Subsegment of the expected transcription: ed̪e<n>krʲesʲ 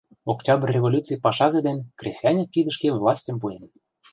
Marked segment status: correct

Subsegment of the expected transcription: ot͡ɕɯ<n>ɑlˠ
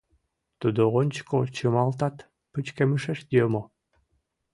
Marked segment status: incorrect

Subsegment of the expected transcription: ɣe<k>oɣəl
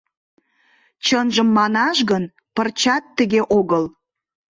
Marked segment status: incorrect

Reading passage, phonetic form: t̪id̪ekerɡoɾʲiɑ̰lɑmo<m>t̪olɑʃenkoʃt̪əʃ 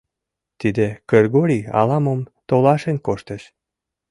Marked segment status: correct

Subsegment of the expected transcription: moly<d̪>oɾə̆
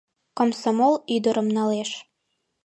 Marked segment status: correct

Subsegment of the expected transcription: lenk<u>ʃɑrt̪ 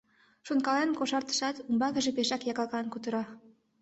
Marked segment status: incorrect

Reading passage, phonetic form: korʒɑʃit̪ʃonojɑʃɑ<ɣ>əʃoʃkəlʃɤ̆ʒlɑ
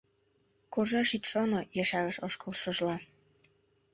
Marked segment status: correct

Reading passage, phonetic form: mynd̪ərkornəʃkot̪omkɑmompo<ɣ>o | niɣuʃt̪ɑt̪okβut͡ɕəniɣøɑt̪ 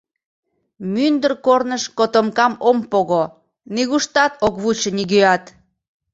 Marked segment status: correct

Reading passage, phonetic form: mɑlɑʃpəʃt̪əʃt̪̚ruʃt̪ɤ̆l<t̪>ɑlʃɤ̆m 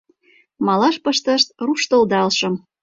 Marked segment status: incorrect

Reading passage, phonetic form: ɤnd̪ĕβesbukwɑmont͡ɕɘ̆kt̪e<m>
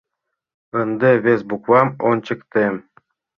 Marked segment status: correct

